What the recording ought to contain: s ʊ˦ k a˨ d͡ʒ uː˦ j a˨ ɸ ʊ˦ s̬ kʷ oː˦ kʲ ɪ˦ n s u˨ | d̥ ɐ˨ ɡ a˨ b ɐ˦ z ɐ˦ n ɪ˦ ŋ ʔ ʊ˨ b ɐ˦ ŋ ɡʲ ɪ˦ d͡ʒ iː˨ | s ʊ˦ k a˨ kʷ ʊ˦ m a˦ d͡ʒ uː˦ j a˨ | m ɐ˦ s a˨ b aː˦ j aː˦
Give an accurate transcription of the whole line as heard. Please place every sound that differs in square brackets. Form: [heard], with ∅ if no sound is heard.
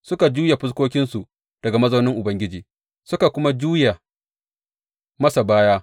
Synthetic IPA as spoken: s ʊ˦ k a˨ d͡ʒ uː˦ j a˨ ɸ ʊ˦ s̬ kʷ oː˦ kʲ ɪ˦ n s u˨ | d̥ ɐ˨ ɡ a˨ [m] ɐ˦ z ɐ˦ n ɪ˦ ŋ ʔ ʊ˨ b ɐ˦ ŋ ɡʲ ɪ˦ d͡ʒ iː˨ | s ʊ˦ k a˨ kʷ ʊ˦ m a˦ d͡ʒ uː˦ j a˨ | m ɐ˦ s a˨ b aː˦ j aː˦